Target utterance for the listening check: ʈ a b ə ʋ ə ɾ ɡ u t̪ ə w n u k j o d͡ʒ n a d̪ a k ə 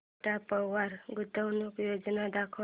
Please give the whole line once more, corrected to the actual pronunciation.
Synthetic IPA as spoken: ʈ a p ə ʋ a ɾ ɡ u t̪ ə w n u k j o d͡ʒ n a d̪ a kʰ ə